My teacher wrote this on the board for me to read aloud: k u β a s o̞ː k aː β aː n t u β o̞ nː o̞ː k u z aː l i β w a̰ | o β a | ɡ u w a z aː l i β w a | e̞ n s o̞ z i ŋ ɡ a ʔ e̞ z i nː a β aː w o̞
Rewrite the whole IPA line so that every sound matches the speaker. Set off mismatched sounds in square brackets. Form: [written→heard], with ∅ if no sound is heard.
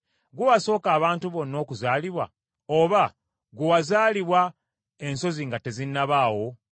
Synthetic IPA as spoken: [k→ɡ] u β a s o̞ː k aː β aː n t u β o̞ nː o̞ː k u z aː l i β w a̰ | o β a | ɡ u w a z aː l i β w a | e̞ n s o̞ z i ŋ ɡ a [ʔ→t] e̞ z i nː a β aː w o̞